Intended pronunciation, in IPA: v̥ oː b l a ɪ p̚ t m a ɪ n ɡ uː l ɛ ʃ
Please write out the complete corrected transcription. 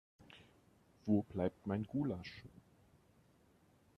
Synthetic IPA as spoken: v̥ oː b l a ɪ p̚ t m a ɪ n ɡ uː l a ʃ